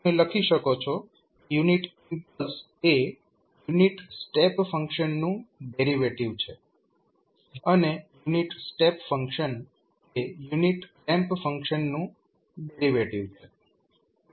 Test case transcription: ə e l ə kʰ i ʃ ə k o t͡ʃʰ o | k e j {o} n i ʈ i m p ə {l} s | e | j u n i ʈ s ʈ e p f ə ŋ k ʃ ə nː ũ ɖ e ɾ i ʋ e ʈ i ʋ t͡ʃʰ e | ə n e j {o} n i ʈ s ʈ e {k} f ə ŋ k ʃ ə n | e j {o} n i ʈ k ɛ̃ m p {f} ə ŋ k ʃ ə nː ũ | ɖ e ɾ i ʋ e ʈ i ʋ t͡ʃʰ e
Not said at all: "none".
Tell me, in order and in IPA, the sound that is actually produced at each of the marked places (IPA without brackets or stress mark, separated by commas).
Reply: u, l, u, p, u, f